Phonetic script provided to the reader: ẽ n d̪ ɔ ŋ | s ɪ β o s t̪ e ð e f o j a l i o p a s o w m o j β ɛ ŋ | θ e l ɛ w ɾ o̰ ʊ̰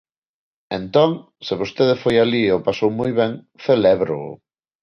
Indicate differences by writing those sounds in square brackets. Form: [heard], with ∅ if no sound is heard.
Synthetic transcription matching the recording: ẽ n [t̪] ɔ ŋ | s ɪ β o s t̪ e ð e f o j a l i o p a s o w m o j β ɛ ŋ | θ e l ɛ [β] ɾ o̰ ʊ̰